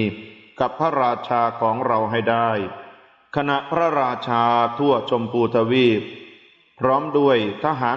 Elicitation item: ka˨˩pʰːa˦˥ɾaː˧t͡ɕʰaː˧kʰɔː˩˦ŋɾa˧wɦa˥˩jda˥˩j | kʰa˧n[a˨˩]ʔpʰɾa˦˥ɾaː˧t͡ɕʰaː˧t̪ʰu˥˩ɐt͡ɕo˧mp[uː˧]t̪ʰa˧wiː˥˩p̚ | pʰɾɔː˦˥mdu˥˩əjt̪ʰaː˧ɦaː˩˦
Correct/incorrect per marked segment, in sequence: correct, correct

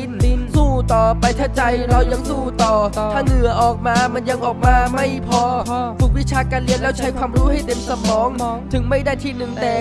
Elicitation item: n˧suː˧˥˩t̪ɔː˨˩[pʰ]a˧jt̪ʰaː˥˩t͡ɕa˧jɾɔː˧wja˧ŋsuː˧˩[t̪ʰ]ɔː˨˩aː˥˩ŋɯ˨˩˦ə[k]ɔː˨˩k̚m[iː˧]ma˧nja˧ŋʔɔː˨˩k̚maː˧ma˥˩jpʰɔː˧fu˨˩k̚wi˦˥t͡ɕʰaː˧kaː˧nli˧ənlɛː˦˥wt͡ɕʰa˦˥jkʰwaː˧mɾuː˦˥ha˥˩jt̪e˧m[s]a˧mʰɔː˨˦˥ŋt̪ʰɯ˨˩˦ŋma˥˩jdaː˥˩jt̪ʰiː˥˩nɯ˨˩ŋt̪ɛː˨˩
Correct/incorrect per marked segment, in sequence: incorrect, incorrect, incorrect, incorrect, correct

